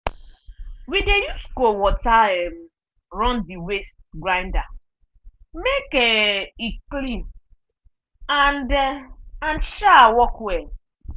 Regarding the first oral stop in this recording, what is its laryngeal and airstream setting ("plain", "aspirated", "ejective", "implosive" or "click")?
plain